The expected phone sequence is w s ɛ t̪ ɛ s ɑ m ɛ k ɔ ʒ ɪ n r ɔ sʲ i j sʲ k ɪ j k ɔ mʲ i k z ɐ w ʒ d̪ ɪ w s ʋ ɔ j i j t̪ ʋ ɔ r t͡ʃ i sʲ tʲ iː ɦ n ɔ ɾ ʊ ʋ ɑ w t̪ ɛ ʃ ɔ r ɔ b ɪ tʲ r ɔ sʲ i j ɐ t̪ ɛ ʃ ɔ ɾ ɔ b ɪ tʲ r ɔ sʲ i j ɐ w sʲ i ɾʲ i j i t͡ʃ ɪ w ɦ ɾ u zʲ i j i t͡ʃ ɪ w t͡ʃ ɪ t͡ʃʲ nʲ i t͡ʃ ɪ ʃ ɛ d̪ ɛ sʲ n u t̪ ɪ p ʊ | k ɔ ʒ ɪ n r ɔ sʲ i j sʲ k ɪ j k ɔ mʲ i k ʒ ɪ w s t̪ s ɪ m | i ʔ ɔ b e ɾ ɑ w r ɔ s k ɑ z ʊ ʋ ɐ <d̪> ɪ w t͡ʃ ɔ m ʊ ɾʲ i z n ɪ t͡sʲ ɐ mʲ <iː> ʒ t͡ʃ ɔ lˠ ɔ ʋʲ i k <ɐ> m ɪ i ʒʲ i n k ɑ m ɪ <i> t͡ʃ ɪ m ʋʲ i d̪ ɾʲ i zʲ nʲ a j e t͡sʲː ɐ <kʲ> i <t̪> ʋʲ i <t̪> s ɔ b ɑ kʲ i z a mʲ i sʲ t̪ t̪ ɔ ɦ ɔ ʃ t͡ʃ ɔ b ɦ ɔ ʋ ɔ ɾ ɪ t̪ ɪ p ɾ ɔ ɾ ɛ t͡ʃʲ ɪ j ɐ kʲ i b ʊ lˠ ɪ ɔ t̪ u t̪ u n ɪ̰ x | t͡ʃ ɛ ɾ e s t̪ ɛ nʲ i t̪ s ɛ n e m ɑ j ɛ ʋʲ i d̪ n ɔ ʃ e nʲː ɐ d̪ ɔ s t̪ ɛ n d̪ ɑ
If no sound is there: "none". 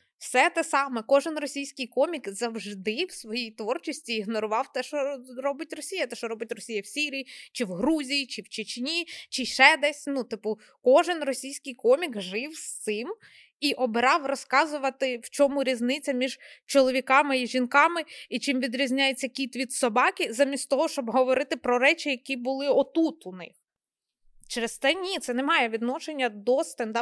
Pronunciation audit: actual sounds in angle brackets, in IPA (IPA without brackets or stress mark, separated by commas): t̪, i, ɑ, i, kʲ, t̪, d̪